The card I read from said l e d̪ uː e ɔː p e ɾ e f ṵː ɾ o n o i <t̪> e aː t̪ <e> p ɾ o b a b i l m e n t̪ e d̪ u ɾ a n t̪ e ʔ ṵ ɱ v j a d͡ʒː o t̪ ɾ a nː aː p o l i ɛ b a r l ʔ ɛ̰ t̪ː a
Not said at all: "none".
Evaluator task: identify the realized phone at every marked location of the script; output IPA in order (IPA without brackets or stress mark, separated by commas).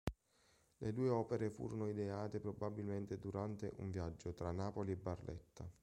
d̪, e